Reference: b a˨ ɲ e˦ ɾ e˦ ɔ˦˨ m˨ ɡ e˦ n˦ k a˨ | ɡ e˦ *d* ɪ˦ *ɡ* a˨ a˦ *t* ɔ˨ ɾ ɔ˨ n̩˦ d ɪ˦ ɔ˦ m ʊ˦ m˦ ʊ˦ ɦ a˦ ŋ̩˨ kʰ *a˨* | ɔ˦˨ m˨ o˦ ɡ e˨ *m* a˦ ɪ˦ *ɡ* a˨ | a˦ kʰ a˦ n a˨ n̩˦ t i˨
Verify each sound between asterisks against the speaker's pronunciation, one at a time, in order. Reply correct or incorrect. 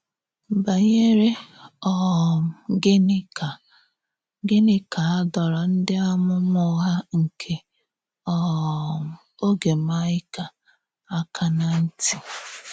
incorrect, incorrect, incorrect, incorrect, correct, incorrect

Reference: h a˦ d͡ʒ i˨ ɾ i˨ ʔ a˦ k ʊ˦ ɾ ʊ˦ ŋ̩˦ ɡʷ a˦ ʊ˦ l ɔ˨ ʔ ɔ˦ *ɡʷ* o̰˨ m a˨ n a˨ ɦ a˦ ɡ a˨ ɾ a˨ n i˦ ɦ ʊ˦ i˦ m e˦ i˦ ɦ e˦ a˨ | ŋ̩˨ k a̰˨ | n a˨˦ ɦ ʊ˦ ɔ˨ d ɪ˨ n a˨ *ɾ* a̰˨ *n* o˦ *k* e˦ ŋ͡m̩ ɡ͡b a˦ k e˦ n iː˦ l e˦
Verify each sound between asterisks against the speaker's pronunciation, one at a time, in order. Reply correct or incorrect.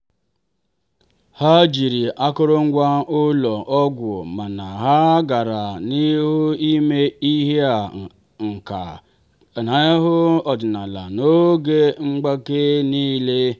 correct, incorrect, correct, incorrect

